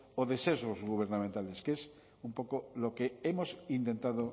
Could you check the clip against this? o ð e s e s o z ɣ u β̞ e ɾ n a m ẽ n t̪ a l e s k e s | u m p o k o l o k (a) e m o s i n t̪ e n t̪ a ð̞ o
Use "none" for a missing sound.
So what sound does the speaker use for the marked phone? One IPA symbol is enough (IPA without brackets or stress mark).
e